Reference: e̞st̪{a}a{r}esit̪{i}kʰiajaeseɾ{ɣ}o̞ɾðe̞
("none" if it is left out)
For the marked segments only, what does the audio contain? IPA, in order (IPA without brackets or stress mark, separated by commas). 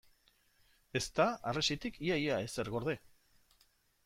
a, r, i, ɣ